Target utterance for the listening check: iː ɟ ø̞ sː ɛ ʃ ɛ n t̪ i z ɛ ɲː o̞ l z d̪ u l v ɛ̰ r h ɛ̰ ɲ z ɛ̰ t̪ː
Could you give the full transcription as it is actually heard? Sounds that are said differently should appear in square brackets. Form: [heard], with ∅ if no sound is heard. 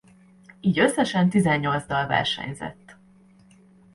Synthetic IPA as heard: iː ɟ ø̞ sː ɛ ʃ ɛ n t̪ i z ɛ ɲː o̞ l z d̪ [ɒ] l v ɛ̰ r [ʃ] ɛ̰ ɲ z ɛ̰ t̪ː